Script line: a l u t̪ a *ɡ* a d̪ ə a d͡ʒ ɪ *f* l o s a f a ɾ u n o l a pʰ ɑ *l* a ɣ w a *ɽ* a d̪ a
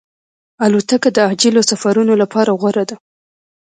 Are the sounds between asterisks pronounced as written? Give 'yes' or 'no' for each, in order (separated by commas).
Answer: no, no, no, no